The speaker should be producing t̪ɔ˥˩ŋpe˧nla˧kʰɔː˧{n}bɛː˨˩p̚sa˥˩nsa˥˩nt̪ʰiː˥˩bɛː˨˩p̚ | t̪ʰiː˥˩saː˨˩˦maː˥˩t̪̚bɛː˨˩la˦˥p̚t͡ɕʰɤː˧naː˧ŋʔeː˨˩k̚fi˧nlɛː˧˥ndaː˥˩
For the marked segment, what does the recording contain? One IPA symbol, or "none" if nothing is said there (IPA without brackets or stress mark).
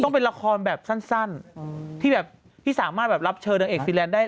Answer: n